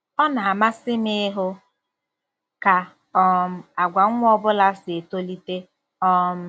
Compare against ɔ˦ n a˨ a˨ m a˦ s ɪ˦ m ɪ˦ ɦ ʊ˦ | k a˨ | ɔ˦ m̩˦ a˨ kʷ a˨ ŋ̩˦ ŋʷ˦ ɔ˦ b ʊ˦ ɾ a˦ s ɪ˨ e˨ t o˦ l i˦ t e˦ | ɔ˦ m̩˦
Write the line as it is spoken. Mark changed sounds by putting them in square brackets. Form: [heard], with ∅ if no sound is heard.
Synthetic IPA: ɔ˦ n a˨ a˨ m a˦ s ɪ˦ m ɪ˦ ɦ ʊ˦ | k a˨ | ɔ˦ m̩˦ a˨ [ɡʷ] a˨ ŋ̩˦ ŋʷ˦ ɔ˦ b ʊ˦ [l] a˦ s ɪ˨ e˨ t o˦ l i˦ t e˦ | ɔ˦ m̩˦

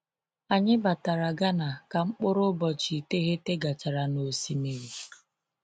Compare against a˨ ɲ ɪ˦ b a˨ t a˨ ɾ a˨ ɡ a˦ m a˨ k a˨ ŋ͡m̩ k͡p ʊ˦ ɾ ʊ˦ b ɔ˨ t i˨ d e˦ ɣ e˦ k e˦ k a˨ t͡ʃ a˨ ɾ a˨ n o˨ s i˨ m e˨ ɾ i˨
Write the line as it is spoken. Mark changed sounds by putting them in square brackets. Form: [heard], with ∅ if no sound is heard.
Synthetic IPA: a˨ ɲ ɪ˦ b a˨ t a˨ ɾ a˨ ɡ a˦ [n] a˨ k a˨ ŋ͡m̩ k͡p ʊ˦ ɾ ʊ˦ b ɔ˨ [t͡ʃ] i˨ [t] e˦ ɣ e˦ [t] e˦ [ɡ] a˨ t͡ʃ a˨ ɾ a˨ n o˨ s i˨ m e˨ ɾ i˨

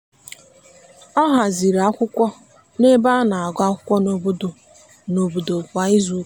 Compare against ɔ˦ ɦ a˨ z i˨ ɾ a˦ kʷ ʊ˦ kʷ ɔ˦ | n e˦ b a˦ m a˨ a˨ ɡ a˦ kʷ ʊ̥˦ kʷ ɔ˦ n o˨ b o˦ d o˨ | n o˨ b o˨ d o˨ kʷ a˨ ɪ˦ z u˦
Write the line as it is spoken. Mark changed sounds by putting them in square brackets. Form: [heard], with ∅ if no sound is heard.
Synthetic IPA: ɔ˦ ɦ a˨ z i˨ ɾ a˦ kʷ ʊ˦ kʷ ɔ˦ | n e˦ b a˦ [n] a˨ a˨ ɡ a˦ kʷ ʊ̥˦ kʷ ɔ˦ n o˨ b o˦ d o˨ | n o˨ b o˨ d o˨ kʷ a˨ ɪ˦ z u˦

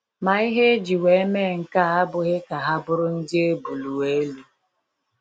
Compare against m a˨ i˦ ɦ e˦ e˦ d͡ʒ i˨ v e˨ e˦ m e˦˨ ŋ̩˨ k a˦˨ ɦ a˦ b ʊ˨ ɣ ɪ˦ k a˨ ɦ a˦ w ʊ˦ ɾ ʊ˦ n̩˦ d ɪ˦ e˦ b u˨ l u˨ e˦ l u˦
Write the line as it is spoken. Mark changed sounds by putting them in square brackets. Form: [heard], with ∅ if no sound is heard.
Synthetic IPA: m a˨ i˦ ɦ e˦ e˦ d͡ʒ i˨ [w] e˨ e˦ m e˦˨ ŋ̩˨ k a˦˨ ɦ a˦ b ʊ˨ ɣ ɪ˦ k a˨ ɦ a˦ [b] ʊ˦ ɾ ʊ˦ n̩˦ d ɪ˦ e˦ b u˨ l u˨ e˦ l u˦

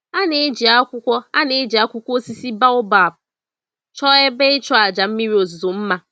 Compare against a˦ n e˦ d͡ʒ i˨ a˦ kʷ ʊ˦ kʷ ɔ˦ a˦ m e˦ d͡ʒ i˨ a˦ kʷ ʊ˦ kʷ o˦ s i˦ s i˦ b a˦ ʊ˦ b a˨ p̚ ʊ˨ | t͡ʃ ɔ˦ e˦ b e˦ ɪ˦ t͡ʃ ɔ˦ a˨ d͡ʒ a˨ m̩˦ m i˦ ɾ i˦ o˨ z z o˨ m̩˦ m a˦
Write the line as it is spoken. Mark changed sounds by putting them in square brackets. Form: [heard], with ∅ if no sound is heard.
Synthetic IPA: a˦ n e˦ d͡ʒ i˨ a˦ kʷ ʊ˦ kʷ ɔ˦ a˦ [n] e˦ d͡ʒ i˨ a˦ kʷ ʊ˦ kʷ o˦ s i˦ s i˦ b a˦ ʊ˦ b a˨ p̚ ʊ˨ | t͡ʃ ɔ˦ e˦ b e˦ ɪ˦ t͡ʃ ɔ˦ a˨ d͡ʒ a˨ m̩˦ m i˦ ɾ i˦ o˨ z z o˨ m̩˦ m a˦

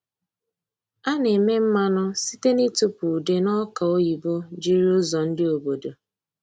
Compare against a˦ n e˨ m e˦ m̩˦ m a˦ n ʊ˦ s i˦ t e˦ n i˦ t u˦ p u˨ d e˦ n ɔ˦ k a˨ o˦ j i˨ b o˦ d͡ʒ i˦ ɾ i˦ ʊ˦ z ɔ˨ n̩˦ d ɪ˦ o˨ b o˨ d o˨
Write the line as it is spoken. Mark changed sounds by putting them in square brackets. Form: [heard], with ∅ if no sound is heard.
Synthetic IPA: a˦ n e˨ m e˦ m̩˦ m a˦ n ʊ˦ s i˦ t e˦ n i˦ t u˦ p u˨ d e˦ n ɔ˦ k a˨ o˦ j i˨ b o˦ d͡ʒ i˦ ɾ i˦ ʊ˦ z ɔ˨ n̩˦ d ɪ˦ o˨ b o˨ d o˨

